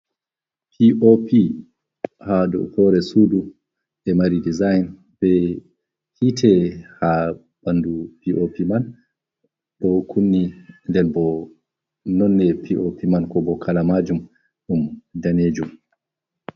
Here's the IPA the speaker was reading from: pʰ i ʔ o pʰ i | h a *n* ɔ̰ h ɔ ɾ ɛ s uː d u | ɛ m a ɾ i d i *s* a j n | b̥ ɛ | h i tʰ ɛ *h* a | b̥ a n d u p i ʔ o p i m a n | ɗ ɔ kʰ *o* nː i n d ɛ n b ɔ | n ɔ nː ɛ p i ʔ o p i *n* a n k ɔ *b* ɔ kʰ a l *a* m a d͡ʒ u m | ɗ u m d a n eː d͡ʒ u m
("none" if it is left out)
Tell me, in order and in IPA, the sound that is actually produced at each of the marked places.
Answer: d, z, h, u, m, b, a

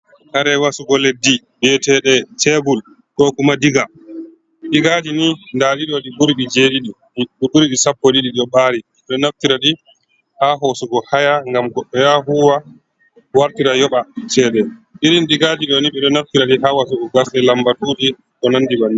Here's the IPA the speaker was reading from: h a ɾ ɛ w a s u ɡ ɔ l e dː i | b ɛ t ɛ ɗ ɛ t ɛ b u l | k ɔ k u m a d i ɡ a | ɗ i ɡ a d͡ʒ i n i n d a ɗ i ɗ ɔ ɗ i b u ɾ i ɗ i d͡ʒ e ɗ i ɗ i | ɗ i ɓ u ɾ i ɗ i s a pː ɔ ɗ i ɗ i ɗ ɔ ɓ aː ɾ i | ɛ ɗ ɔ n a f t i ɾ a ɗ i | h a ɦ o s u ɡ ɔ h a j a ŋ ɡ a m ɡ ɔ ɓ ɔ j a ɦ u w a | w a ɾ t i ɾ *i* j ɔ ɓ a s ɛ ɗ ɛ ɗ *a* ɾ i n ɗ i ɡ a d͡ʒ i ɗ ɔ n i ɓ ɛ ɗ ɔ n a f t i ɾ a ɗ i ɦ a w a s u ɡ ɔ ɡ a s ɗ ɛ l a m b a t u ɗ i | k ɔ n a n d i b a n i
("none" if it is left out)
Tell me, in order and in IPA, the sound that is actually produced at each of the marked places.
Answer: a, i

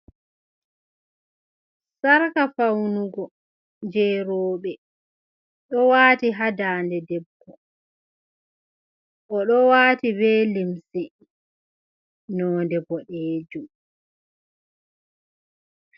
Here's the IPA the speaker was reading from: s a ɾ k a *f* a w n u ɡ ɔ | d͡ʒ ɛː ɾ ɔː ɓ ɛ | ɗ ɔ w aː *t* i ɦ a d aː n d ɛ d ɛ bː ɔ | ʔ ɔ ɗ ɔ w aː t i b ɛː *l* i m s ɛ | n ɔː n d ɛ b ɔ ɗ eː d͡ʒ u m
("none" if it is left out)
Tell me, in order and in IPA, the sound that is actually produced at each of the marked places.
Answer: f, t, l

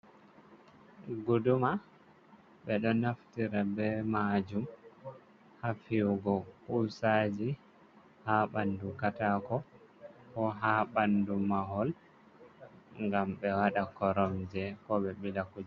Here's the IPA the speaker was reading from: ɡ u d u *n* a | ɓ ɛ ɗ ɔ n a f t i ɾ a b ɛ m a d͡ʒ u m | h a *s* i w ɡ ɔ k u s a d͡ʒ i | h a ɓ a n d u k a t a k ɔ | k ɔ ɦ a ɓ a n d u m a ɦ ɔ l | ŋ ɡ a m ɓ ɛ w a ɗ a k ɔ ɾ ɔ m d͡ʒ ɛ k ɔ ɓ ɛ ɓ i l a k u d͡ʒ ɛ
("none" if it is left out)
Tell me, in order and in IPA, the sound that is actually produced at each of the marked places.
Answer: m, f

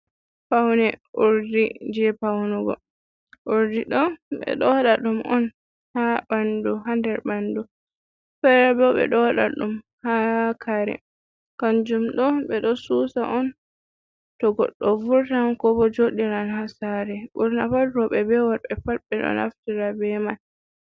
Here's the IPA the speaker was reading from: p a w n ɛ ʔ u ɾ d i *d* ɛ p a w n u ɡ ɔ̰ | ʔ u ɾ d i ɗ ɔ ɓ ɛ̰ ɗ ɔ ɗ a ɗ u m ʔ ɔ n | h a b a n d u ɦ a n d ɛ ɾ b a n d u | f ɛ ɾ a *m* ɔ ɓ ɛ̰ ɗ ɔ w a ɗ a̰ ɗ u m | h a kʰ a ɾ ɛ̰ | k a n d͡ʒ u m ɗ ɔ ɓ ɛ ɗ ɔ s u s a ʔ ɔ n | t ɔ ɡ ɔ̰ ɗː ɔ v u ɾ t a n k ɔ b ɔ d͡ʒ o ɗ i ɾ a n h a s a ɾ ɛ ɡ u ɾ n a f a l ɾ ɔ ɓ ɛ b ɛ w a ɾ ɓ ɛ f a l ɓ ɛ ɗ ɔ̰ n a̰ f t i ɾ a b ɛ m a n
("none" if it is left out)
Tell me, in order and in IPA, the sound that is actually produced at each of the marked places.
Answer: d͡ʒ, b

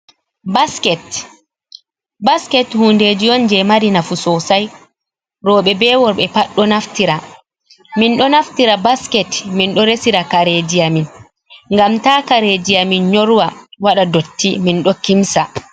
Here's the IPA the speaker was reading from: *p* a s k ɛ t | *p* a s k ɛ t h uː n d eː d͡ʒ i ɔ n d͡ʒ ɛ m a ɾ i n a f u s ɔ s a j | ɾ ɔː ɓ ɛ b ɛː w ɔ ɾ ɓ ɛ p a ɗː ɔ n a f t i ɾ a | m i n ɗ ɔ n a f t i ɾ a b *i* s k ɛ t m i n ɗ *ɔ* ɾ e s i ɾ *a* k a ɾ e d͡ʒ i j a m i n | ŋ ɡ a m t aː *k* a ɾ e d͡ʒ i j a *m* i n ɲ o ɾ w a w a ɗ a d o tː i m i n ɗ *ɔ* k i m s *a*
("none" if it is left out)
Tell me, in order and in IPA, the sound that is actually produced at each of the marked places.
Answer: b, b, a, ɔ, a, k, m, ɔ, a

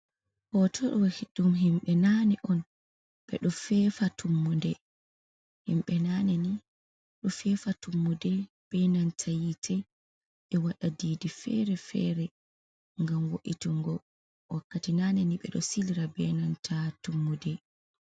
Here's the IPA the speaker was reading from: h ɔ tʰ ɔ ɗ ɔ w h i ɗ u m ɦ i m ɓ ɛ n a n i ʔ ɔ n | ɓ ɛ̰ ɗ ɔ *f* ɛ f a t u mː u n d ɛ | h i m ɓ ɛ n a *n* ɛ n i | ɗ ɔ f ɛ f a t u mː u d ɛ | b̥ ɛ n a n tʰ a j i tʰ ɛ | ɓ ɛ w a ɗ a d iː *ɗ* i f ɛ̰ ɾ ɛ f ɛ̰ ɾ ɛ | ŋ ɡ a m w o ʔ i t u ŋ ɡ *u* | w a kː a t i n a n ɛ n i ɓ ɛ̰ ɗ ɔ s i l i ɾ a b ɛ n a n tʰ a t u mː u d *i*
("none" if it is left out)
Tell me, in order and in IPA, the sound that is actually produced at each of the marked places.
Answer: f, n, d, ɔ, ɛ

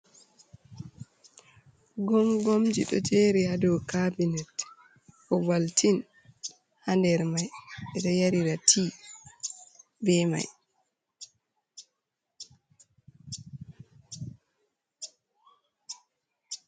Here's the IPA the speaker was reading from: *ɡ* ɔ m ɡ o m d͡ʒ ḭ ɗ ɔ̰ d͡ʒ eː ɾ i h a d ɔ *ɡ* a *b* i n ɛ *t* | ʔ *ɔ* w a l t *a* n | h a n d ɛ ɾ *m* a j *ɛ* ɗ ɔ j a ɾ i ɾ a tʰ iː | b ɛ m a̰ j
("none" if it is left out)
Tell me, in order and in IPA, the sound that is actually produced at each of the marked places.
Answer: ɡ, k, b, t, ɔ, i, m, ɛ

